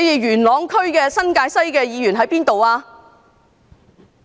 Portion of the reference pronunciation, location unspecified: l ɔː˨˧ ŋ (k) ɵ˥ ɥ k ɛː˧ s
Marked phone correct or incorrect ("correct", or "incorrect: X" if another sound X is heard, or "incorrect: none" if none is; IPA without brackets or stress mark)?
incorrect: kʰ